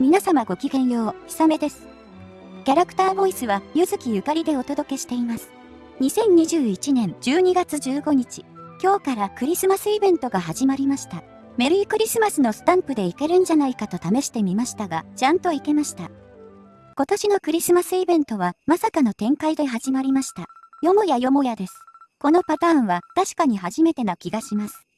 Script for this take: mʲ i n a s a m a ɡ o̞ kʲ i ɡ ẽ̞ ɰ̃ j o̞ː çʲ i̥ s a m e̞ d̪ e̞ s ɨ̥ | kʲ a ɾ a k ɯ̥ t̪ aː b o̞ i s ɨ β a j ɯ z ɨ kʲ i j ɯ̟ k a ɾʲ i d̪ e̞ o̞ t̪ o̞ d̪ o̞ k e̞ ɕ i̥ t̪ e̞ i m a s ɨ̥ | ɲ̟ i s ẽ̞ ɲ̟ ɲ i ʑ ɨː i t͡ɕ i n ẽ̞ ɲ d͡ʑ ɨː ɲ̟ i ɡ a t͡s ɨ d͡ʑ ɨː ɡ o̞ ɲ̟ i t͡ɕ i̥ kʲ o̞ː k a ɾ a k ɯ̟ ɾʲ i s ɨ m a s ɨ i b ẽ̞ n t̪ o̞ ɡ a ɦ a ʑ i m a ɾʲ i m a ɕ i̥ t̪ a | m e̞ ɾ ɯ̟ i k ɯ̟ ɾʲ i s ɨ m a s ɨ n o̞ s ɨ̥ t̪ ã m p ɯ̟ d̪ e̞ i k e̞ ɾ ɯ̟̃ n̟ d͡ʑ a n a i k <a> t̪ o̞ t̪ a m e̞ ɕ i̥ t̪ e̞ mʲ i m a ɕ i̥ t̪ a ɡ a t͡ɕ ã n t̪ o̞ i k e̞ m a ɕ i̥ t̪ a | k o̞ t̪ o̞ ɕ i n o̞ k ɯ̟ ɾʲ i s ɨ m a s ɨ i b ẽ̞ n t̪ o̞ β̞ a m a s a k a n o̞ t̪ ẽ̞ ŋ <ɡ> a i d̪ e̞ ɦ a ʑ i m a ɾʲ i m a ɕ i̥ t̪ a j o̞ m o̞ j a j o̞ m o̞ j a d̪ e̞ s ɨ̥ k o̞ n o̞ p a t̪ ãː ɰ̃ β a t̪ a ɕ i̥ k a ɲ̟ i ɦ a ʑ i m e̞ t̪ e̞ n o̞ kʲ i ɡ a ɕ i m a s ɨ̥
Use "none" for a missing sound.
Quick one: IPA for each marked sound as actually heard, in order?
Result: a, k

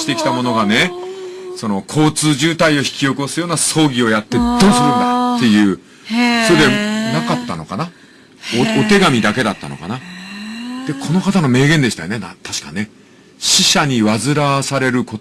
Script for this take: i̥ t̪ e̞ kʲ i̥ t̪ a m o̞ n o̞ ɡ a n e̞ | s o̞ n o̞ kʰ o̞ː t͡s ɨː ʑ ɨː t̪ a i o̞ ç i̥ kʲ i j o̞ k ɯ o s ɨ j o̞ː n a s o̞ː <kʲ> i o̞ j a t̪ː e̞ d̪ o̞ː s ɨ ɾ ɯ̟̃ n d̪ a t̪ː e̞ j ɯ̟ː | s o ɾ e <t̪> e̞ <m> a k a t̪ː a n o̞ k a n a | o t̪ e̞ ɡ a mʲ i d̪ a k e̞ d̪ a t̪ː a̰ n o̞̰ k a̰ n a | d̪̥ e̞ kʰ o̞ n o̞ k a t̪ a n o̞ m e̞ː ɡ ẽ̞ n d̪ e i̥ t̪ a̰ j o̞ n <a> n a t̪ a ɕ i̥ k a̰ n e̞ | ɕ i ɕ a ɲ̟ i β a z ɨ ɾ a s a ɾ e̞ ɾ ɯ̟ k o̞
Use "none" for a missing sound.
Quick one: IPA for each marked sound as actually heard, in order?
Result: ɡʲ, d̪, n, e

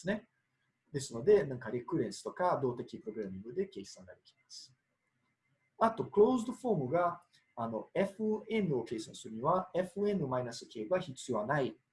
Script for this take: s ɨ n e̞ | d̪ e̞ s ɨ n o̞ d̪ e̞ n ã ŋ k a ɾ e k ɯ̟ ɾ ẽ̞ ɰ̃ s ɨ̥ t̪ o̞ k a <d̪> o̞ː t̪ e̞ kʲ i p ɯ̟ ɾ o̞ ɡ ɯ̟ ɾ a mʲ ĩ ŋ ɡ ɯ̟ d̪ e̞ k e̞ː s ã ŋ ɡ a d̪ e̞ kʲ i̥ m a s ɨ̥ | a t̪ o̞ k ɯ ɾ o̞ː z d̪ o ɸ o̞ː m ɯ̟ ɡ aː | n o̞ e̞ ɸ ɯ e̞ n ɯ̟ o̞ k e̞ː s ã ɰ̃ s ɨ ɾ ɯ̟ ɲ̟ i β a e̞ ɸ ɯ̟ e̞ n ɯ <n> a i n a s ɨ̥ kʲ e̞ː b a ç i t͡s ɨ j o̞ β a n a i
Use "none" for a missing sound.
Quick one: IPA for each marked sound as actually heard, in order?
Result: d̪, m

